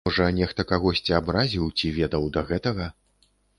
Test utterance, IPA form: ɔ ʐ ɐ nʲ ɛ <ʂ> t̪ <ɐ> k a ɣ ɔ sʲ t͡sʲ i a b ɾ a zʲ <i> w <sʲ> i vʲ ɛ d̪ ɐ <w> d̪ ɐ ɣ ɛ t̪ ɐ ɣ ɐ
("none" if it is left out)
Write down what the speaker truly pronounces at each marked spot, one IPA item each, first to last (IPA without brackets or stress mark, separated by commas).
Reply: x, ɐ, i, t͡sʲ, w